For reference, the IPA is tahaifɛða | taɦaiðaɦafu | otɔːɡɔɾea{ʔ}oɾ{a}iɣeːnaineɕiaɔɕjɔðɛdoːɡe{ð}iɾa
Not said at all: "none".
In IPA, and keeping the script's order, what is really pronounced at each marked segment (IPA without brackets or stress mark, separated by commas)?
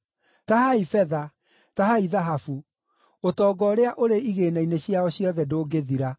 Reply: ʔ, e, ð